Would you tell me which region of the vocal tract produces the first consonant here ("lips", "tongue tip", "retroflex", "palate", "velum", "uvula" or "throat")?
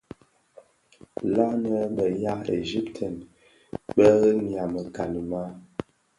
tongue tip